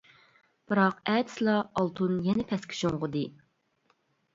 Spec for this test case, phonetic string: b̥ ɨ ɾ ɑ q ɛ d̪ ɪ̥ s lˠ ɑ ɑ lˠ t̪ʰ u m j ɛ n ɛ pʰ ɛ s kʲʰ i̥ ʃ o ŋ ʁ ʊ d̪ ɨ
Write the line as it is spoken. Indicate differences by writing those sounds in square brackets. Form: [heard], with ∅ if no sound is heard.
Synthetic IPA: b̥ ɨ ɾ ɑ q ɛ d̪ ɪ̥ s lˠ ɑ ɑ lˠ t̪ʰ u [n] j ɛ n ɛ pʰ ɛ s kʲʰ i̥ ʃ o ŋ ʁ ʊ d̪ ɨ